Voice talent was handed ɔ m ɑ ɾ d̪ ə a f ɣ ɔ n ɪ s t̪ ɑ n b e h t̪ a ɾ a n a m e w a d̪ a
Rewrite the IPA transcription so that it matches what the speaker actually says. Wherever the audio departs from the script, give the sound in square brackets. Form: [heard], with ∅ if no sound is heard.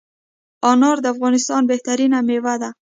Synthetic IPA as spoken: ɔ [n] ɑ ɾ d̪ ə a f ɣ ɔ n ɪ s t̪ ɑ n b e h t̪ a ɾ [i] n a m e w a d̪ a